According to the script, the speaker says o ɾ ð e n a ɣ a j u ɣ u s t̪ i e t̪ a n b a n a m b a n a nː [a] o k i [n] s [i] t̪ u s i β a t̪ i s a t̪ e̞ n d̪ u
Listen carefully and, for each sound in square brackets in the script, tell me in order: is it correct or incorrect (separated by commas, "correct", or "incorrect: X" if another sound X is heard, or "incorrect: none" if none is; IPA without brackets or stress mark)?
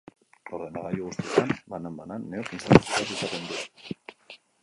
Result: incorrect: e, correct, incorrect: a